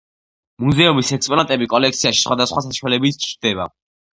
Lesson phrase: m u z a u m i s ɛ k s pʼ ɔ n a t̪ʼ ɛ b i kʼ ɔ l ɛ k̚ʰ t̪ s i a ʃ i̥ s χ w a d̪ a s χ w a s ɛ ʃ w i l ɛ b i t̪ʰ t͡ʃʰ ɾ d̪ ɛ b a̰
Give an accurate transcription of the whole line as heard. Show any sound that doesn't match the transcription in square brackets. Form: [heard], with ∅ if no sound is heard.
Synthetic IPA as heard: m u z [ɛ] u m i s ɛ k s pʼ ɔ n a t̪ʼ ɛ b i kʼ ɔ l ɛ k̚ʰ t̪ s i a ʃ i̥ s χ w a d̪ a s χ w a s [a] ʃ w [a] l ɛ b i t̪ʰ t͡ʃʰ ɾ d̪ ɛ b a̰